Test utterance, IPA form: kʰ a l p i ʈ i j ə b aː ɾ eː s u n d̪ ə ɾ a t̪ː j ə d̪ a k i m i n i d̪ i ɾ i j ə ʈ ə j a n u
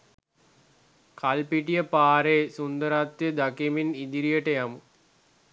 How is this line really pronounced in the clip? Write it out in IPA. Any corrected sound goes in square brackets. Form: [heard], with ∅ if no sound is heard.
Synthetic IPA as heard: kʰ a l p i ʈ i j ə [p] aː ɾ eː s u n d̪ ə ɾ a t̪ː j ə d̪ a k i m i n i d̪ i ɾ i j ə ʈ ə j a [m] u